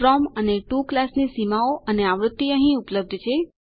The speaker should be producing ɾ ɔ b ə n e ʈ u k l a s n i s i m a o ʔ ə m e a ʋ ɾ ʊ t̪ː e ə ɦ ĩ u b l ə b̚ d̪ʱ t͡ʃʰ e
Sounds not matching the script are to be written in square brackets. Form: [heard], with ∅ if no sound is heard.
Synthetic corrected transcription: ɾ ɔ [m] ə n e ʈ u k l a s n i s i m a o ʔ ə [n] e a ʋ ɾ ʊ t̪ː [i] ə ɦ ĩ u [p] l ə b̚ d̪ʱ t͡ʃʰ e